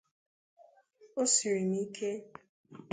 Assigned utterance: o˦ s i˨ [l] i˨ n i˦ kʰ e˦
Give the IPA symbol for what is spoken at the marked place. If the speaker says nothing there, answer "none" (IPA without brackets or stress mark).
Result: ɾ